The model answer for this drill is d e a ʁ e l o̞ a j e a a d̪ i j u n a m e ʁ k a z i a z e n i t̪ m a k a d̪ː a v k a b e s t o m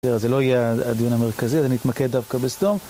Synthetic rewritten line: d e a z e l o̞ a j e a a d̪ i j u n a m e ʁ k a z i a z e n i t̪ m a k e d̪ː a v k a b e s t o m